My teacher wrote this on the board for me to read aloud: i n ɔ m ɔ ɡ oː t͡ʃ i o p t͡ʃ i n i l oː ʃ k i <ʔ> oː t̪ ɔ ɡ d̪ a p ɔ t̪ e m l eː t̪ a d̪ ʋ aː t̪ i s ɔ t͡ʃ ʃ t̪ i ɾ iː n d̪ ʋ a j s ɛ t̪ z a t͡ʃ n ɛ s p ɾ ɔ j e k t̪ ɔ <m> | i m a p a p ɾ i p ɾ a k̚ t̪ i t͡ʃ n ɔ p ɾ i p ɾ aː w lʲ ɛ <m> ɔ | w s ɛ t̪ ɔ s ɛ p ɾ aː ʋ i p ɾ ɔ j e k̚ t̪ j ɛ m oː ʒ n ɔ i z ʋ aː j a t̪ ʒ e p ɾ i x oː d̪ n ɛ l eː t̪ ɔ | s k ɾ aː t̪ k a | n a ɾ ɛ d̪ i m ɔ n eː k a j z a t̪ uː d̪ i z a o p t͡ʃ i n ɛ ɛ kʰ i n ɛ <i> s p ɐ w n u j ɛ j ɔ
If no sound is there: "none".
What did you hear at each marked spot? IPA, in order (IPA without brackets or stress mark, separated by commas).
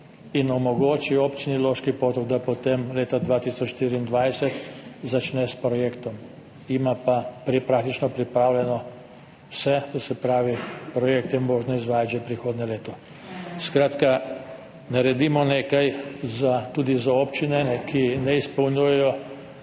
p, m, n, i